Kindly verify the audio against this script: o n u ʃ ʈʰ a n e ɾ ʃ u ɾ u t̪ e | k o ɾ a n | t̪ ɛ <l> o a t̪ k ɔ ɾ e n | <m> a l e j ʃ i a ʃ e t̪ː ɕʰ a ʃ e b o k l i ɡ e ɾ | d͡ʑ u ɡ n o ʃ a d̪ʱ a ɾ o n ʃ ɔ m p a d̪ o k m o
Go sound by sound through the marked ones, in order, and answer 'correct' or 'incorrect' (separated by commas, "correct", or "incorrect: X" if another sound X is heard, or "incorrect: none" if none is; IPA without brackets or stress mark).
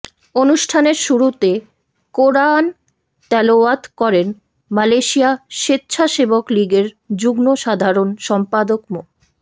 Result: correct, correct